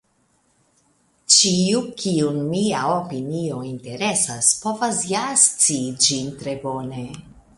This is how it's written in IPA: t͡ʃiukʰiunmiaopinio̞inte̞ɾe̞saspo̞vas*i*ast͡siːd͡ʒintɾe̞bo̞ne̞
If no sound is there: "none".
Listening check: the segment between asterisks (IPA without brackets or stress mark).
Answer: j